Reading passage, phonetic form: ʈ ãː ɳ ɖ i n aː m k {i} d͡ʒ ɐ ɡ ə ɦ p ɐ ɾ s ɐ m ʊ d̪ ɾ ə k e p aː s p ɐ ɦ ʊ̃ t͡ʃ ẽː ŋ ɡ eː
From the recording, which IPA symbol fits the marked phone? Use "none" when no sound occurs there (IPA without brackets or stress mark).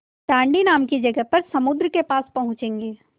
i